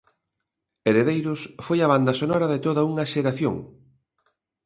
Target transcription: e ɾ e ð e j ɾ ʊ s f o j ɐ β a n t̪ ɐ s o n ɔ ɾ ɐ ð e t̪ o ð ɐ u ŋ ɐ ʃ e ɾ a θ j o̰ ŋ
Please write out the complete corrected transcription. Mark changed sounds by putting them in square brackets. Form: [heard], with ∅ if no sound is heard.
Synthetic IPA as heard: e ɾ e ð e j ɾ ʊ s f o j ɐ β a n [d̪] ɐ s o n ɔ ɾ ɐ ð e t̪ o ð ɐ u ŋ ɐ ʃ e ɾ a θ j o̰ ŋ